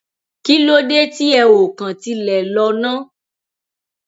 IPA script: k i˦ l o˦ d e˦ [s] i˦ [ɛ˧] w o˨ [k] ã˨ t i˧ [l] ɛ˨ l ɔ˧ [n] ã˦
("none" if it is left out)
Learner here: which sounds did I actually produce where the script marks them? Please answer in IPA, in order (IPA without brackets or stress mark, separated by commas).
t, ɛ˧, k, l, n